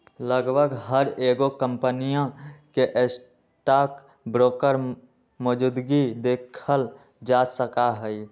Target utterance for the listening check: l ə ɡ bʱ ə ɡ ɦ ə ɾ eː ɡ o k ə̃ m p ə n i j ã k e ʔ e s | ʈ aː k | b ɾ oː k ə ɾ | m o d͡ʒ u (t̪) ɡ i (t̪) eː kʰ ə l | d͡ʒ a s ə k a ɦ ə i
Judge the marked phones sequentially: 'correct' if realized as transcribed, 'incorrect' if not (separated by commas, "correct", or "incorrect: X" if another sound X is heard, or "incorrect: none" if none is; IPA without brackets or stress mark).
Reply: incorrect: d̪, incorrect: d̪